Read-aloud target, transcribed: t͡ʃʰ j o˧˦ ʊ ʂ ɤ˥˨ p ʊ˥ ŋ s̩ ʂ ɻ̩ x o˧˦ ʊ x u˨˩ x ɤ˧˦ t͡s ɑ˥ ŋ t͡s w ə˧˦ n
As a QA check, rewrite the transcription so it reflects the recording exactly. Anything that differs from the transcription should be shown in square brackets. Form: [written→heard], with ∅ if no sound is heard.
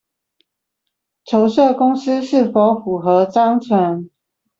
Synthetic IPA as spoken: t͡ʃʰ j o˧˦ ʊ ʂ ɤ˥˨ [p→k] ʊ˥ ŋ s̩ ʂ ɻ̩ [x→f] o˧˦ ʊ [x→f] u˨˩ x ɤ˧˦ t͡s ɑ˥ ŋ [t͡s→t͡sʰ] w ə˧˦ n